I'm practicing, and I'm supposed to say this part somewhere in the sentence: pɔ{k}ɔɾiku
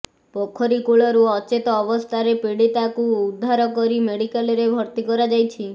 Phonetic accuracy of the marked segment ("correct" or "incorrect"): incorrect